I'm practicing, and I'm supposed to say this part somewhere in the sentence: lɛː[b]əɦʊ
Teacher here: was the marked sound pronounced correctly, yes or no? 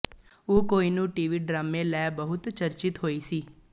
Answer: yes